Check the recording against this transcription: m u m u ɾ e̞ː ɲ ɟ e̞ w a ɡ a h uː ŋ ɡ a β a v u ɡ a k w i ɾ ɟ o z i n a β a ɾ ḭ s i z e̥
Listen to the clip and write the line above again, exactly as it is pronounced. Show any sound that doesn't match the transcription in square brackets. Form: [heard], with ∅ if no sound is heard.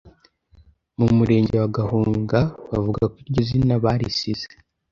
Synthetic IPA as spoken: m u m u ɾ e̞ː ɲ ɟ e̞ w a ɡ a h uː ŋ ɡ a β a v u ɡ a k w i ɾ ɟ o z i n a β a ɾ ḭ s i z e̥